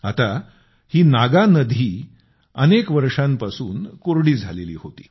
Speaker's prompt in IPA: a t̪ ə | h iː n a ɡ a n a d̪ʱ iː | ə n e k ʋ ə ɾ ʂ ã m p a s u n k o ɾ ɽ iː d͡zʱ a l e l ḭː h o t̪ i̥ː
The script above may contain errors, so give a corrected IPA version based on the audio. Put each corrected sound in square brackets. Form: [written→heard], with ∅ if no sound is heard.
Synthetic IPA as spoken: a t̪ [ə→a] | h iː n a ɡ a n [a→ə] d̪ʱ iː | ə n e k ʋ ə ɾ ʂ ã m p a s [u→uː] n k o ɾ ɽ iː d͡zʱ a l e l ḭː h o t̪ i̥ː